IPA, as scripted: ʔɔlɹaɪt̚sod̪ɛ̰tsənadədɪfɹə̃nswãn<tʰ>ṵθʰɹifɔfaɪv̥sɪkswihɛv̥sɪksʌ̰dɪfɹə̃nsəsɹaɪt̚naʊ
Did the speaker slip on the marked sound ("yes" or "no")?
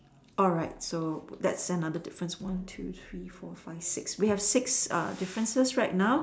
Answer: no